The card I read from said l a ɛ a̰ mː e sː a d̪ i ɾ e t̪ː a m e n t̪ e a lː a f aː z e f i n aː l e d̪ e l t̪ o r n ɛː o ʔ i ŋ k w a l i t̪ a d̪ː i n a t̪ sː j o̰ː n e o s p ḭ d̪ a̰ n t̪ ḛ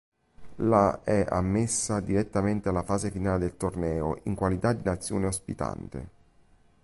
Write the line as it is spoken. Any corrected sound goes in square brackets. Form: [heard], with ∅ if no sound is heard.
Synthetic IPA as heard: l a ɛ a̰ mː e sː a d̪ i ɾ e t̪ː a m e n t̪ e a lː a f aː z e f i n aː l e d̪ e l t̪ o r n ɛː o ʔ i ŋ k w a l i t̪ a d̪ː i n a t̪ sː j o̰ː n e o s p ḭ [t̪] a̰ n t̪ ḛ